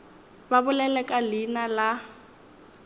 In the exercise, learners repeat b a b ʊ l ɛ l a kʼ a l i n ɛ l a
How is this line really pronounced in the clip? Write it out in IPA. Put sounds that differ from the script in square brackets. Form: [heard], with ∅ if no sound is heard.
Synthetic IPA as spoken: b a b ʊ l ɛ l [ɛ] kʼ a l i n [a] l a